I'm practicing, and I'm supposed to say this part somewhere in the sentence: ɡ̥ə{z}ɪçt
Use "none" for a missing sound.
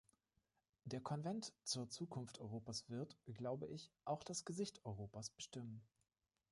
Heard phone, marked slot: z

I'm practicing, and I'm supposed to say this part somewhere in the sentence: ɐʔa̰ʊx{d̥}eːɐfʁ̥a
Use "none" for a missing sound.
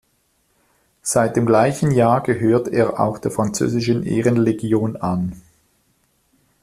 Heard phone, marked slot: d̥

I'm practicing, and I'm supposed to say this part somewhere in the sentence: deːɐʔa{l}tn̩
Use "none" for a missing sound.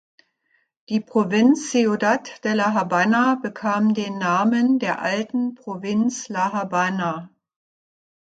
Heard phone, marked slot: l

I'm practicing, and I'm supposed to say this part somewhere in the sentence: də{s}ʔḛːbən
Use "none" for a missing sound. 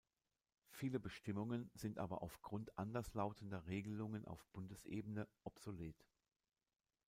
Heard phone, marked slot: s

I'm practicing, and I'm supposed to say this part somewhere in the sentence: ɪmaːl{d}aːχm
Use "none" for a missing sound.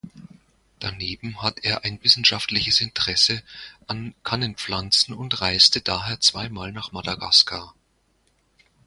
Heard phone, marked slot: n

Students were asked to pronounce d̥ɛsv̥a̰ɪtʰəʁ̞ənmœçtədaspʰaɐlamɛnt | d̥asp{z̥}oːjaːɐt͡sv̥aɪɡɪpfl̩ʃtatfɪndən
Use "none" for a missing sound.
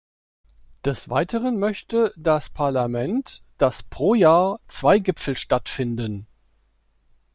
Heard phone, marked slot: ʁ̥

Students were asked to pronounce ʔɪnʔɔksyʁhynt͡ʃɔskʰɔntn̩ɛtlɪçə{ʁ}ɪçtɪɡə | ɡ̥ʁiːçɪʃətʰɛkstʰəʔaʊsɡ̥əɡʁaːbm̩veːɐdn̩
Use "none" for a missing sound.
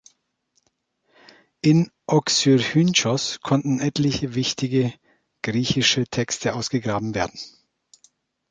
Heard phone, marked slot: v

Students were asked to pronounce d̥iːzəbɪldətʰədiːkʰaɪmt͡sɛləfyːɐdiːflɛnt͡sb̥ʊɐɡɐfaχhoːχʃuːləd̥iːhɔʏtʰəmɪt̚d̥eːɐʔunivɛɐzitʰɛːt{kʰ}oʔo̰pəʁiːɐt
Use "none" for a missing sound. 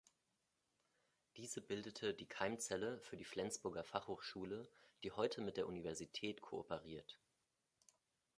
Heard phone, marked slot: kʰ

